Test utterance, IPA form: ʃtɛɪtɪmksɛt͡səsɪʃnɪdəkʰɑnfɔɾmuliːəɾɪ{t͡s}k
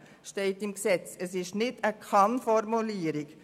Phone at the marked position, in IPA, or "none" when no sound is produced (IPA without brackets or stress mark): none